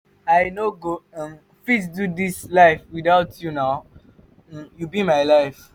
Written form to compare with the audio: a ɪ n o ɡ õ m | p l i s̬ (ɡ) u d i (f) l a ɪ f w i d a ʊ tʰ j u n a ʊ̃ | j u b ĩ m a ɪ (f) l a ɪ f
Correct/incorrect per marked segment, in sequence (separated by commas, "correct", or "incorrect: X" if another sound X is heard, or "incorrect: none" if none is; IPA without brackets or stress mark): incorrect: d, incorrect: s, incorrect: none